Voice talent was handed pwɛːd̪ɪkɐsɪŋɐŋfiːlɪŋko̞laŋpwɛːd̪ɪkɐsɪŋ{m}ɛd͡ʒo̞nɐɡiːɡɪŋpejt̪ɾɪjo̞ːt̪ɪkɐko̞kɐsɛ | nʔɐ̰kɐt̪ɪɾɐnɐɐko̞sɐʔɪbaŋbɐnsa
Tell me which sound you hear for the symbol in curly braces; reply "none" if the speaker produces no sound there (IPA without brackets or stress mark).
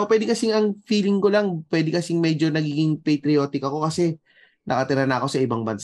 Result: m